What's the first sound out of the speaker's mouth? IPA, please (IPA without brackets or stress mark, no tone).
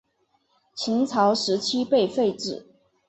t͡ɕʰ